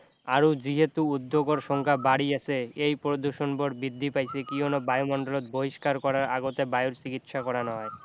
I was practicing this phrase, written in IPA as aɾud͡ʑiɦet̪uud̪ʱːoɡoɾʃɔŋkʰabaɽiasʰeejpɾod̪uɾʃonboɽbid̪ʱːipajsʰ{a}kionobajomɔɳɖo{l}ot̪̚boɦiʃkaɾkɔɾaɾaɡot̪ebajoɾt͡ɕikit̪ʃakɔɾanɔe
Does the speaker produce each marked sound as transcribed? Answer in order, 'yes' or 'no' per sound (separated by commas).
no, yes